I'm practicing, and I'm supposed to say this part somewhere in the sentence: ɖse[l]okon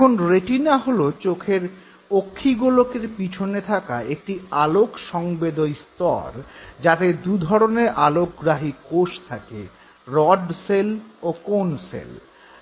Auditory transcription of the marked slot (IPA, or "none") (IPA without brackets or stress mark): l